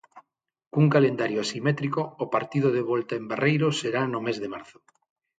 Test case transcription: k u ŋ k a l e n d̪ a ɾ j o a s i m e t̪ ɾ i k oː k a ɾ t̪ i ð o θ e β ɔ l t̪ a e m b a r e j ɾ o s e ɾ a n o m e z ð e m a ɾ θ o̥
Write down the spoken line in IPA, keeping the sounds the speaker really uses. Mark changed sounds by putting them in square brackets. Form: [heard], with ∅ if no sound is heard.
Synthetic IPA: k u ŋ k a l e n d̪ a ɾ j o a s i m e t̪ ɾ i k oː [p] a ɾ t̪ i ð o [ð] e β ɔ l t̪ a e m b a r e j ɾ o s e ɾ a n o m e z ð e m a ɾ θ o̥